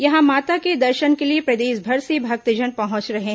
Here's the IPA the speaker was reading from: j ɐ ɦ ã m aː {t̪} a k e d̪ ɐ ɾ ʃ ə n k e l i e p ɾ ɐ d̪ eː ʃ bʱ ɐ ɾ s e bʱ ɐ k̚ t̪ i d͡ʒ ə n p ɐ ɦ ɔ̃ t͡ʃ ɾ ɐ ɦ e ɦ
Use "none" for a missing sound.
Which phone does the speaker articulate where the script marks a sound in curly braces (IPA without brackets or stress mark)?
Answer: t̪